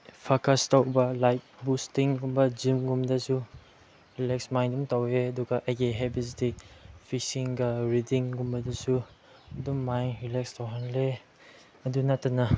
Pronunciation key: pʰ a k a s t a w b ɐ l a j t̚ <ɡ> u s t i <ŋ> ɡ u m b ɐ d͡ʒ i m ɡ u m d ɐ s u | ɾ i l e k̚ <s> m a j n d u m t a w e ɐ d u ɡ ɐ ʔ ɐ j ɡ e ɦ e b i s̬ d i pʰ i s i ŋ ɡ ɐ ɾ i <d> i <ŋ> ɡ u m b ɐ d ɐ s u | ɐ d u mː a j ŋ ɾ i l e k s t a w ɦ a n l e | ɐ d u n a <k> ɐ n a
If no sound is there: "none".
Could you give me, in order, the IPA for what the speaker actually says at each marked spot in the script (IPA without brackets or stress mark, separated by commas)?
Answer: b, ŋ, s, d, ŋ, t